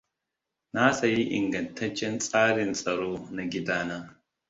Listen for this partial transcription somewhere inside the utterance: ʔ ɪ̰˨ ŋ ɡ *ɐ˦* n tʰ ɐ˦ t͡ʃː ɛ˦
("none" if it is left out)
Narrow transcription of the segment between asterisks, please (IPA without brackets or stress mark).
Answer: ɐ˨